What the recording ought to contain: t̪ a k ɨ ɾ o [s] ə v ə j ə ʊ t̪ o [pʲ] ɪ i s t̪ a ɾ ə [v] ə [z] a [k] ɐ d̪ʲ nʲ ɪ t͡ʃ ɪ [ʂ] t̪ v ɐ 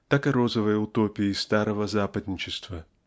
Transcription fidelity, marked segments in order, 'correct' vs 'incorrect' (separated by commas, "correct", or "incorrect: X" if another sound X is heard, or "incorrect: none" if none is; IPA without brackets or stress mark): incorrect: z, correct, correct, correct, incorrect: p, incorrect: s